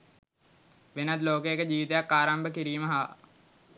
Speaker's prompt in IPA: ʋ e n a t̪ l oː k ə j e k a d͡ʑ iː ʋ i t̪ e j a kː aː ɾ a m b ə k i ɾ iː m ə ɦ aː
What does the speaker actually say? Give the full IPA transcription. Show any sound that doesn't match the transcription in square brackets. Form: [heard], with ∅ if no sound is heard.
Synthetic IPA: ʋ e n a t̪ l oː k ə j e k [ə] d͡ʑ iː ʋ i t̪ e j a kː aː ɾ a m b ə k i ɾ iː m ə ɦ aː

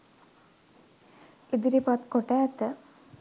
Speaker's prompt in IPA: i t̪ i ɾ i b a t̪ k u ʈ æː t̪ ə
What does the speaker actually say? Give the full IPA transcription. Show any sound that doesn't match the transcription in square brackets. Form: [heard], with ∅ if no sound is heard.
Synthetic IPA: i [d̪] i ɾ i [p] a t̪ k [o] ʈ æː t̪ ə

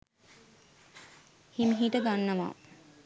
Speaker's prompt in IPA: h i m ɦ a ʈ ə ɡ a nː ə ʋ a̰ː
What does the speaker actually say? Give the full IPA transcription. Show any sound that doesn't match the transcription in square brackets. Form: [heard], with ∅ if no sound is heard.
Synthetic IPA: h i m ɦ [i] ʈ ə ɡ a nː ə ʋ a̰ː

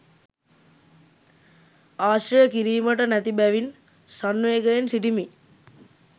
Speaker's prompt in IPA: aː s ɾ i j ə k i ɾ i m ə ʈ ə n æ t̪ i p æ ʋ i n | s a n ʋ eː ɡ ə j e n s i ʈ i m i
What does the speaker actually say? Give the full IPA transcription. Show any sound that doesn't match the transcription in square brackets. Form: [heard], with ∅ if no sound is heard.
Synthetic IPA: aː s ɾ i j ə k i ɾ [iː] m ə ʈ ə n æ t̪ i [b] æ ʋ i n | s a n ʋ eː ɡ ə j e n s i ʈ i m i

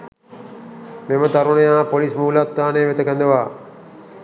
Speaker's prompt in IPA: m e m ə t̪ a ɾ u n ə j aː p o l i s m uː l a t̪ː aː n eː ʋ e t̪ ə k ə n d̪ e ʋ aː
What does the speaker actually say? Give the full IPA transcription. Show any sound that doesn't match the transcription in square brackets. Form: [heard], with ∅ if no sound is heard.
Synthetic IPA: m e m ə t̪ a ɾ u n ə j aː p o l i s m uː l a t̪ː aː n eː ʋ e t̪ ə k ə n d̪ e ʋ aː

